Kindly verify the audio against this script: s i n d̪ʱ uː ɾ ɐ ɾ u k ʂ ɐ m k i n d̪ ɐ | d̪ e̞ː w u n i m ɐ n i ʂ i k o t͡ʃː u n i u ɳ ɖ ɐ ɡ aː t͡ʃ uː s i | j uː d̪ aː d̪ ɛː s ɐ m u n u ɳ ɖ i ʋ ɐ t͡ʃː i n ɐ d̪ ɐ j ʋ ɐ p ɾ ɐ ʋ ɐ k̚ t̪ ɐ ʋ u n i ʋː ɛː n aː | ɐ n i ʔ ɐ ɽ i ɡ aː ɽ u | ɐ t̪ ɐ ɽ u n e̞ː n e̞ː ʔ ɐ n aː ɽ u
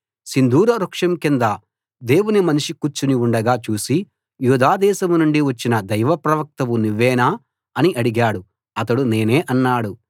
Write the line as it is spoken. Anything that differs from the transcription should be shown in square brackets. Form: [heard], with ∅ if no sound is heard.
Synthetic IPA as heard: s i n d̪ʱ uː ɾ ɐ ɾ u k ʂ ɐ m k i n d̪ ɐ | d̪ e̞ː w u n i m ɐ n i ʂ i k [u] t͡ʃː u n i u ɳ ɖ ɐ ɡ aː t͡ʃ uː s i | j uː d̪ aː d̪ ɛː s ɐ m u n u ɳ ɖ i ʋ ɐ t͡ʃː i n ɐ d̪ ɐ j ʋ ɐ p ɾ ɐ ʋ ɐ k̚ t̪ ɐ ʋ u n i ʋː ɛː n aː | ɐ n i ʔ ɐ ɽ i ɡ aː ɽ u | ɐ t̪ ɐ ɽ u n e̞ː n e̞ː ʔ ɐ [nː] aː ɽ u